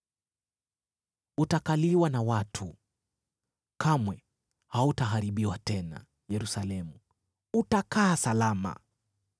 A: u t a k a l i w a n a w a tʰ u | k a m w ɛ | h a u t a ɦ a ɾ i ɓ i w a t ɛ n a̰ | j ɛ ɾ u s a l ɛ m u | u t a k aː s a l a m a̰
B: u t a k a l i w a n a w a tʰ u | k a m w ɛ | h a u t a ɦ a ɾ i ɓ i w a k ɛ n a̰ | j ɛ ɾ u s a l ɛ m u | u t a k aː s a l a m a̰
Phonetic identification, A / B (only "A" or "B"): A